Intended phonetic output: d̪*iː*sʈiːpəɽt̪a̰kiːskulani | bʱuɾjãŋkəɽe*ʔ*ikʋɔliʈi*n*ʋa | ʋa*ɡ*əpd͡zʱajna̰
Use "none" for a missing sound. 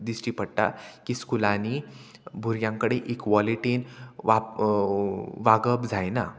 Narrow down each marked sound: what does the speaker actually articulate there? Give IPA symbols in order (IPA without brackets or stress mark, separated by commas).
i, ʔ, n, ɡ